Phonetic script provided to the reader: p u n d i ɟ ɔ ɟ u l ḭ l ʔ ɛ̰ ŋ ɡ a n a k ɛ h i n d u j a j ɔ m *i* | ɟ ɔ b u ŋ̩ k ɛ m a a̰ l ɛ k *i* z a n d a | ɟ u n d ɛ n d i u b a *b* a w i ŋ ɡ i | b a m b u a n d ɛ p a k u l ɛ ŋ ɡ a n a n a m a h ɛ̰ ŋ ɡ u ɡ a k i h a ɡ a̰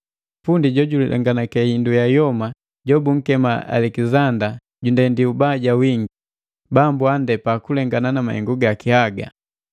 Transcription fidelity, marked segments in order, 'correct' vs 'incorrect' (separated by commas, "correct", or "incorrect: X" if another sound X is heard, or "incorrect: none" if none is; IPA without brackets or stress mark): incorrect: a, correct, incorrect: ɟ